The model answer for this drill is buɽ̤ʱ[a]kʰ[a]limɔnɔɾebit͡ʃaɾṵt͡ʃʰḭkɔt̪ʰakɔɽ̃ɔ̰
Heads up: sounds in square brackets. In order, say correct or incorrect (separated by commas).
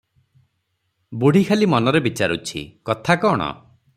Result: incorrect, correct